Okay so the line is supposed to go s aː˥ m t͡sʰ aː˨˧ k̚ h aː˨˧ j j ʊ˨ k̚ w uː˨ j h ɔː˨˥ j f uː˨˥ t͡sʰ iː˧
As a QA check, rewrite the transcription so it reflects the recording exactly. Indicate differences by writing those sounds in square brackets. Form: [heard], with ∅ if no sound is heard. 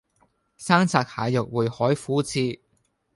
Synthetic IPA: s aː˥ [ŋ] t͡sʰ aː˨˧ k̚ h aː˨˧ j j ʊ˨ k̚ w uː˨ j h ɔː˨˥ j f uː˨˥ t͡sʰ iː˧

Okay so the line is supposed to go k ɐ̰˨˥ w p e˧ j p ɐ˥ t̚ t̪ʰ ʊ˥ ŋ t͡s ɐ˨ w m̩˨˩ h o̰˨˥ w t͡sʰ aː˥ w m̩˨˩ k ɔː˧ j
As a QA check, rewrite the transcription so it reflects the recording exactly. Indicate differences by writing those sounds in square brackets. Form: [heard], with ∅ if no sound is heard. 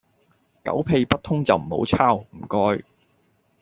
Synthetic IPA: k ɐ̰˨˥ w [pʰ] e˧ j p ɐ˥ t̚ t̪ʰ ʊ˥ ŋ t͡s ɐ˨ w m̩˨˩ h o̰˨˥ w t͡sʰ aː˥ w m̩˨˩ k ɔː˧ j

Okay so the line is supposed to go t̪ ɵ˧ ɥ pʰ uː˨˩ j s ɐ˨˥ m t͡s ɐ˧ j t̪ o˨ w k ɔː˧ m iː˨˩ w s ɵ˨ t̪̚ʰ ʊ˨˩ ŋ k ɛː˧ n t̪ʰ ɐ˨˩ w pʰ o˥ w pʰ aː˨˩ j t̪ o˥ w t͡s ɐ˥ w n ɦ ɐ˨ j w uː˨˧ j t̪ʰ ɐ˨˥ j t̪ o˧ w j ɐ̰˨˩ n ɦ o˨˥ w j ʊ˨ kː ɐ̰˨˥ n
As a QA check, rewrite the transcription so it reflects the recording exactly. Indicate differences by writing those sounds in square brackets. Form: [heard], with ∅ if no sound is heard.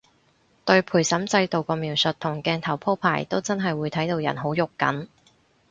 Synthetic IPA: t̪ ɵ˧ ɥ pʰ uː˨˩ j s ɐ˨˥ m t͡s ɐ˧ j t̪ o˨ w k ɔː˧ m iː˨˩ w s ɵ˨ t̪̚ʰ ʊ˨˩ ŋ k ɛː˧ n t̪ʰ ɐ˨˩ w pʰ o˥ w pʰ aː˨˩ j t̪ o˥ w t͡s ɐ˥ [∅] n ɦ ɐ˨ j w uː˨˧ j t̪ʰ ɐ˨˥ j t̪ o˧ w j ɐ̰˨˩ n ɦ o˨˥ w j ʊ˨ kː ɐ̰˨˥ n

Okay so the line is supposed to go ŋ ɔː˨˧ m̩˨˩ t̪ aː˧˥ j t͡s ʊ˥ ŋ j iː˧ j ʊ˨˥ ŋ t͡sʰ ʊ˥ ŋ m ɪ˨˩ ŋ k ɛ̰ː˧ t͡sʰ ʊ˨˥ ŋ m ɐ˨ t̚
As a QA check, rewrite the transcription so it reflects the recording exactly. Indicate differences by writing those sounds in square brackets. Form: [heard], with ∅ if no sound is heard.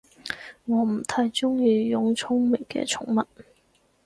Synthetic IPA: ŋ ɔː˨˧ m̩˨˩ [t̪ʰ] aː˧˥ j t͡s ʊ˥ ŋ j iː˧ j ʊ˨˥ ŋ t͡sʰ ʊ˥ ŋ m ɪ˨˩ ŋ k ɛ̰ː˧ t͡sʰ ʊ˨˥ ŋ m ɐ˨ t̚

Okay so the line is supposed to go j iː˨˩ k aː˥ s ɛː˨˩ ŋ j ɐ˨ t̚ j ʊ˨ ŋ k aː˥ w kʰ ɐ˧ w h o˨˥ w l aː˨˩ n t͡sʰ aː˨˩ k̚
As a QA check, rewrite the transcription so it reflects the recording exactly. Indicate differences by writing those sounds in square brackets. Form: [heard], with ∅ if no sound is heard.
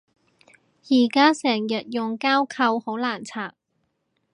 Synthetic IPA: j iː˨˩ k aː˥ s ɛː˨˩ ŋ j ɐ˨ t̚ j ʊ˨ ŋ k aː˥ w kʰ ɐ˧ w h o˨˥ w l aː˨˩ n t͡sʰ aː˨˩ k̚

